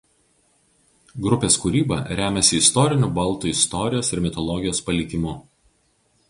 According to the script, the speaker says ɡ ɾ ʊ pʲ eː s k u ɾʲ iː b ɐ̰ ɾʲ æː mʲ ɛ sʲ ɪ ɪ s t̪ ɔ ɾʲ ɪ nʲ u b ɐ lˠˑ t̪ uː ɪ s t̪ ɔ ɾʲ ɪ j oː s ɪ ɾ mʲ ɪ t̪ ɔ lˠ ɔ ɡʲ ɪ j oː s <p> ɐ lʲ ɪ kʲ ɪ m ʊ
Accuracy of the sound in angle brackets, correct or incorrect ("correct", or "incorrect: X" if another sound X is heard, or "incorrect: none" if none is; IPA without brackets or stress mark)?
correct